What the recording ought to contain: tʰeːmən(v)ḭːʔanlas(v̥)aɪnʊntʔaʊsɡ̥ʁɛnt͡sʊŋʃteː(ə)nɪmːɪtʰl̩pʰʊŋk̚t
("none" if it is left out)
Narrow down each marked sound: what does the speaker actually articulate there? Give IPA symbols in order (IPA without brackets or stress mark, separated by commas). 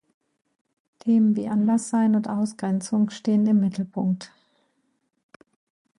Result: v, z̥, ə